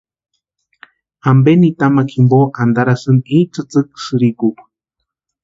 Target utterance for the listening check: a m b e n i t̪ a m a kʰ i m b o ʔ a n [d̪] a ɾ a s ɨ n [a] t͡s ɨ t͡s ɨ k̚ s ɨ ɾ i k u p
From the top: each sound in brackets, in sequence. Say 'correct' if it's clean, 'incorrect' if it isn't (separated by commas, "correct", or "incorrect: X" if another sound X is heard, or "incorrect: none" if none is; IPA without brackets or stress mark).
correct, incorrect: i